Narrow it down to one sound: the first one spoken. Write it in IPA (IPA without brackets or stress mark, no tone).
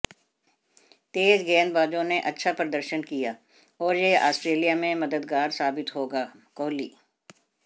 t̪